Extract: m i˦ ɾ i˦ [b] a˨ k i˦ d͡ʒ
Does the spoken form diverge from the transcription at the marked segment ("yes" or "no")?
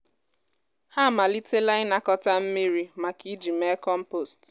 yes